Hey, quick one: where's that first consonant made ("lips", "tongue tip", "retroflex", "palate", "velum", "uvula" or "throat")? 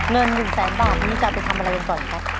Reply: velum